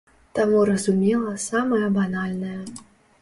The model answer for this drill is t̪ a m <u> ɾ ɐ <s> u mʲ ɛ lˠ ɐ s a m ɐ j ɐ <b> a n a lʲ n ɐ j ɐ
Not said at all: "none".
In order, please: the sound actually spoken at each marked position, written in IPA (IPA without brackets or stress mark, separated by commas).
u, z, b